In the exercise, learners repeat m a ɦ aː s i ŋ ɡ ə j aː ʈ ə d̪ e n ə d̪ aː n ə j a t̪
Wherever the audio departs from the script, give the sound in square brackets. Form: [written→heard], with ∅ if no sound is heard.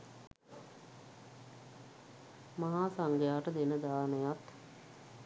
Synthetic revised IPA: m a ɦ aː s [i→a] ŋ ɡ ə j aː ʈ ə d̪ e n ə d̪ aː n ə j a t̪